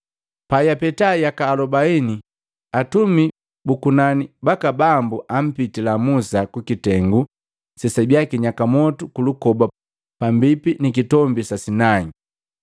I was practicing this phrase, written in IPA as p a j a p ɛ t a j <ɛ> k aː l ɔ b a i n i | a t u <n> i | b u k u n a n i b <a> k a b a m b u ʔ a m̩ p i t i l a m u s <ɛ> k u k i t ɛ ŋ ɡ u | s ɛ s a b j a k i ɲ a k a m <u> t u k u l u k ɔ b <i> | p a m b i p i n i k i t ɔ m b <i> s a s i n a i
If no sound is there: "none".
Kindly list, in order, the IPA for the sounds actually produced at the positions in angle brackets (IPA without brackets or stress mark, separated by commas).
a, m, a, a, ɔ, a, i